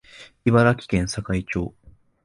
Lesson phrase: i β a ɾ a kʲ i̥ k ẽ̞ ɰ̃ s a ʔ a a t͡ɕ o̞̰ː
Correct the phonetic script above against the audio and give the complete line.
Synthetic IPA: i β a ɾ a kʲ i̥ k ẽ̞ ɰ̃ s a k a i t͡ɕ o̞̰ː